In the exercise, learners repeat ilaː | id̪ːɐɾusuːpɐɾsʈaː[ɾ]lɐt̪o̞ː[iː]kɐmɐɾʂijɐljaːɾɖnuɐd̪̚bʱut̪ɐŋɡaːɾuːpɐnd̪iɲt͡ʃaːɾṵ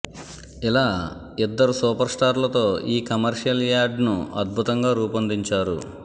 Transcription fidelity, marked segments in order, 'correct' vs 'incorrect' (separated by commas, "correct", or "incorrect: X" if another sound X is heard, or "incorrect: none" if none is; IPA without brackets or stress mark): correct, correct